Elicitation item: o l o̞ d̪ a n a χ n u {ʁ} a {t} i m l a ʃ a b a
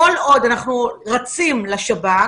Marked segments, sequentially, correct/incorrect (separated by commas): correct, incorrect